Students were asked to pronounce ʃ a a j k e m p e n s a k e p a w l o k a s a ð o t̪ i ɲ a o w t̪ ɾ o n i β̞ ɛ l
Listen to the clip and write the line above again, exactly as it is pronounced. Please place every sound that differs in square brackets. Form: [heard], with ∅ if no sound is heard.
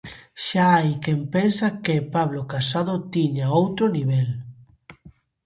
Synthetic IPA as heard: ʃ a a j k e m p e n s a k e p a [β] l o k a s a ð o t̪ i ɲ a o w t̪ ɾ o n i β̞ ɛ l

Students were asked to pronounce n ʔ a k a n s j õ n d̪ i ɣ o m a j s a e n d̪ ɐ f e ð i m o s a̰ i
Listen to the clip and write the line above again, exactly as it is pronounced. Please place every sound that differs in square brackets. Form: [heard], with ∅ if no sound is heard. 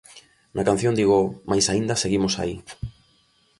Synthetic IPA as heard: n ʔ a k a n [θ] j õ n d̪ i ɣ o m a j s a [i] n d̪ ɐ [s] e [ɣ] i m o s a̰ i

